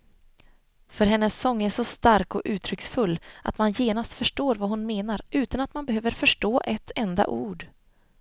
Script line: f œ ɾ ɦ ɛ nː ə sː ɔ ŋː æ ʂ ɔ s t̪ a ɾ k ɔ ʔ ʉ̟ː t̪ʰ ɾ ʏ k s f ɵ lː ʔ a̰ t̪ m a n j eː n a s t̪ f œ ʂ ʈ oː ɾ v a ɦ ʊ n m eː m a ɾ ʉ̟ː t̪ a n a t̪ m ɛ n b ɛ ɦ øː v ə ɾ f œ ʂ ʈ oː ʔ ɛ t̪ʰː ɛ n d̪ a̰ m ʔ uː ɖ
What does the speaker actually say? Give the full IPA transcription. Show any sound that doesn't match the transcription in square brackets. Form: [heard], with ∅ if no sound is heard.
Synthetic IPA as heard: f œ ɾ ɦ ɛ nː ə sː ɔ ŋː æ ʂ ɔ s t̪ a ɾ k ɔ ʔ ʉ̟ː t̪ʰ ɾ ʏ k s f ɵ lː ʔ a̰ t̪ m a n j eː n a s t̪ f œ ʂ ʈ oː ɾ v a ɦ ʊ n m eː [n] a ɾ ʉ̟ː t̪ a n a t̪ m [a] n b ɛ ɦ øː v ə ɾ f œ ʂ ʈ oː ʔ ɛ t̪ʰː ɛ n d̪ a̰ [∅] ʔ uː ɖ